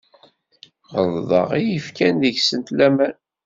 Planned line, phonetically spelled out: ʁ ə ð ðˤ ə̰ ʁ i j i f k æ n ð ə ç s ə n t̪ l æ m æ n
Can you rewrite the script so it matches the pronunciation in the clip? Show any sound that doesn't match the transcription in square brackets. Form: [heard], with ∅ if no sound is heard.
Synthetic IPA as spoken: ʁ ə ð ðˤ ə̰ ʁ i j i f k æ n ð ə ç s ə n t̪ l æ m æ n